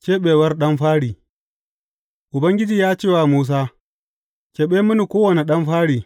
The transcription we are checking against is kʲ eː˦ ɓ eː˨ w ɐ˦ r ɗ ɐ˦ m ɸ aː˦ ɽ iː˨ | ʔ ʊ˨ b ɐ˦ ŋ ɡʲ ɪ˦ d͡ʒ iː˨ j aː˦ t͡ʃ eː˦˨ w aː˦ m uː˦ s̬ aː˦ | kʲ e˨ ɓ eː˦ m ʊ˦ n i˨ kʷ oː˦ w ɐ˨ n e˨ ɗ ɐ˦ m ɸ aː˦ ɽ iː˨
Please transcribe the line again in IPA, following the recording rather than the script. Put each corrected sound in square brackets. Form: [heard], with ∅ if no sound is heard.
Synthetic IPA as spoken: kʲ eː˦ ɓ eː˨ w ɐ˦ r ɗ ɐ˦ m ɸ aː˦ ɽ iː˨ | ʔ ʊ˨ b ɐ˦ ŋ ɡʲ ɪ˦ d͡ʒ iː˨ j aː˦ t͡ʃ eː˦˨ w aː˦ m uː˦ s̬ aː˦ | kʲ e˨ ɓ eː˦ m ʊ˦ n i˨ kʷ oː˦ w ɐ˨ n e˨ ɗ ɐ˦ m ɸ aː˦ ɽ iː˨